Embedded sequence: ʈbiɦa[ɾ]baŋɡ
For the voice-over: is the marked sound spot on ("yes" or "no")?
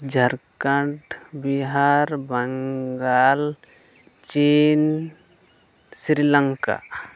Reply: yes